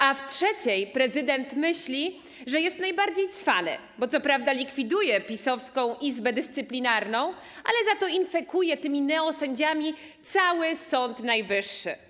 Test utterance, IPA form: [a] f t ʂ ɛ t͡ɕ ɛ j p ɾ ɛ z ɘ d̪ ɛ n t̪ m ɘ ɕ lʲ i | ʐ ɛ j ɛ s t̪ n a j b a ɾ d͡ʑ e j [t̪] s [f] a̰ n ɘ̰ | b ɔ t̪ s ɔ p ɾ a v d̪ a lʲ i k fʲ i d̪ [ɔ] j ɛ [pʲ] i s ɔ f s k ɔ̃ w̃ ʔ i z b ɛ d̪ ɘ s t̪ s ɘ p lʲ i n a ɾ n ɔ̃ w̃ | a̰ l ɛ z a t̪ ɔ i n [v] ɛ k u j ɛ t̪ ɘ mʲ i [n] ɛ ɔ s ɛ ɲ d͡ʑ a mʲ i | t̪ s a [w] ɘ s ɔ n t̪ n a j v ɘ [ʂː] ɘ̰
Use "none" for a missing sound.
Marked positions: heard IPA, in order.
a, t̪, f, u, pʲ, f, n, w, ʂː

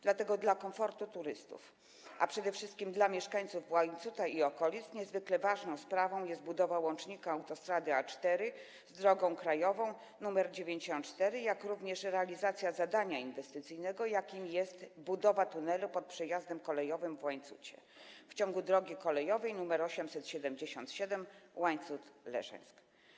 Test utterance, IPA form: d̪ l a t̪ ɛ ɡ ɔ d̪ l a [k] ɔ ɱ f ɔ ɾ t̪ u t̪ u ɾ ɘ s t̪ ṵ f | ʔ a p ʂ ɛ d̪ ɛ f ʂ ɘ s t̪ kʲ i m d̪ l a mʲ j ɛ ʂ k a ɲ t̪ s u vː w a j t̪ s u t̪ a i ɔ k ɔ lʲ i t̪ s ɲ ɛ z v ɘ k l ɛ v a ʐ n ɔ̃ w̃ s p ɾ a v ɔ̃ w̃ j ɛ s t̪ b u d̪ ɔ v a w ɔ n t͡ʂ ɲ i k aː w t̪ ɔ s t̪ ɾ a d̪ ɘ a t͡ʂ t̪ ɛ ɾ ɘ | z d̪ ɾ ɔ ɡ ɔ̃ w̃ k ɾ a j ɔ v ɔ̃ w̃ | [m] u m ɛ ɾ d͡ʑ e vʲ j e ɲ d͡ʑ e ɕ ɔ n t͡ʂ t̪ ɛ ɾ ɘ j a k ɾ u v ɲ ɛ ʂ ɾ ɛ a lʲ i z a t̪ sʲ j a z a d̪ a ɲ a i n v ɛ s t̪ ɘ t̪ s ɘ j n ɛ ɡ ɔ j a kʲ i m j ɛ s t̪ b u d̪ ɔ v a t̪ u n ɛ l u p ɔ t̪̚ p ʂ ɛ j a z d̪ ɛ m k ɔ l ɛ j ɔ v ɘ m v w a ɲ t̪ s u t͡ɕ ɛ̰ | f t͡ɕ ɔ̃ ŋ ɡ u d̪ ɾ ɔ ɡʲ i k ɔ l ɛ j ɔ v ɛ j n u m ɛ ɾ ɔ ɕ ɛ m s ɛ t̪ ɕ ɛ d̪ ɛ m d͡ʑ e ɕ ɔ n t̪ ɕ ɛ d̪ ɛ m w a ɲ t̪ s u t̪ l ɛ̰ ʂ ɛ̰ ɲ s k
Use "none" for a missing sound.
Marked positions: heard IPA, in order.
k, n

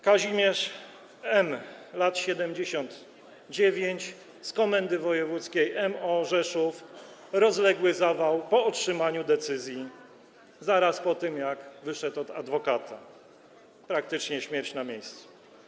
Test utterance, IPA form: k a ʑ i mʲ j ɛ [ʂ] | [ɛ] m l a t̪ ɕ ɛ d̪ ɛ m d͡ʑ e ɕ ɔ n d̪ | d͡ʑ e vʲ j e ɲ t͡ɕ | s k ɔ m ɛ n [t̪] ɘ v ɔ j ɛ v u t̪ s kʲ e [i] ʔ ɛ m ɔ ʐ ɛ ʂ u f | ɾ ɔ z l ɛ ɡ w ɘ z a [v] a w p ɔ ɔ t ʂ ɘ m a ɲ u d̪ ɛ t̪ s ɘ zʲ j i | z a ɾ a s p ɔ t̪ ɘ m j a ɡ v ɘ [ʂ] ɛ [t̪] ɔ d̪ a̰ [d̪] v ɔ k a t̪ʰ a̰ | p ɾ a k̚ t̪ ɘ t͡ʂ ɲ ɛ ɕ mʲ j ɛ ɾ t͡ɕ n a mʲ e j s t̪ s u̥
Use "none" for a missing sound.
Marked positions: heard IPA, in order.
ʂ, ɛ, d̪, j, v, ʂ, t̪, d̪

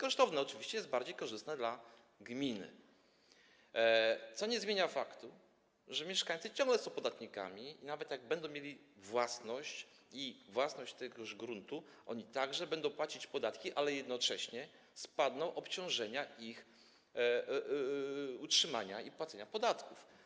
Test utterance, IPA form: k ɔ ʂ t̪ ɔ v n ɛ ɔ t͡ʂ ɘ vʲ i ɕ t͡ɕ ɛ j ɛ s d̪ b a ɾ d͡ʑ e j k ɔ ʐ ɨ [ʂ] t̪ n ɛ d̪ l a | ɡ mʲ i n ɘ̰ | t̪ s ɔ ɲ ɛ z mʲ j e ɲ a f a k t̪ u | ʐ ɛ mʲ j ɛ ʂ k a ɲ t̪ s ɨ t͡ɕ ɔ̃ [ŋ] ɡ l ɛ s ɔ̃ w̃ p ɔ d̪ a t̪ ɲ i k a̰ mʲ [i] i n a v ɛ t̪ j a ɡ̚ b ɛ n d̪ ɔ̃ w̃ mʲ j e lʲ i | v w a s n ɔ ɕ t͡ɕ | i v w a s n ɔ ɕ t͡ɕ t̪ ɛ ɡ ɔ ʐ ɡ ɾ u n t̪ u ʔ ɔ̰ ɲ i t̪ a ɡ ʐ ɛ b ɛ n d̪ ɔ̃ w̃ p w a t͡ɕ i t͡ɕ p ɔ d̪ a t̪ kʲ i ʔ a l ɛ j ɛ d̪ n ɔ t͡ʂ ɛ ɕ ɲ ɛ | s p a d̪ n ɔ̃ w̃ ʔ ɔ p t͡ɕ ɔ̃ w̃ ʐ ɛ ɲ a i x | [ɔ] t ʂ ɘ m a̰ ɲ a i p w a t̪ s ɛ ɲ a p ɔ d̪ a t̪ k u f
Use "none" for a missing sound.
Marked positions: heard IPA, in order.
s, ŋ, i, u

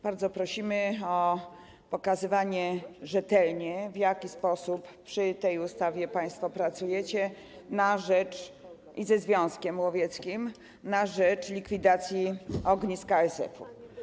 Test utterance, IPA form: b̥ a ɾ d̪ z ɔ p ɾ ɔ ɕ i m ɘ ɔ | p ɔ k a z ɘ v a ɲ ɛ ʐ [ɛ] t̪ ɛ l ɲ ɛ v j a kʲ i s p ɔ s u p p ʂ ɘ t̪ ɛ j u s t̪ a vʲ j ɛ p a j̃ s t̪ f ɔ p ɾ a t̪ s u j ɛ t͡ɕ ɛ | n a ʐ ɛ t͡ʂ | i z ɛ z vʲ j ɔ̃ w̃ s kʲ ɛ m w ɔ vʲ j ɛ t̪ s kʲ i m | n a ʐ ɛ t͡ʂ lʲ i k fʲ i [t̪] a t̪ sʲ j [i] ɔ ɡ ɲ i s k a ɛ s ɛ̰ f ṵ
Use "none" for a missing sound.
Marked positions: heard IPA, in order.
ɛ, d̪, i

